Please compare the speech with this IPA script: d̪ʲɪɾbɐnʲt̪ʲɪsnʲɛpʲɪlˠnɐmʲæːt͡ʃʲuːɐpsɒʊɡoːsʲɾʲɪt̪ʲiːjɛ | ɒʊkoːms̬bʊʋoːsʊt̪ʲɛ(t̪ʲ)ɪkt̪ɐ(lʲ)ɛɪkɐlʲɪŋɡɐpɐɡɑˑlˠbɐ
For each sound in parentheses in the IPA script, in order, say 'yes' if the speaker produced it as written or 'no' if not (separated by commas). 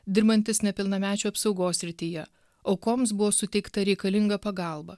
no, no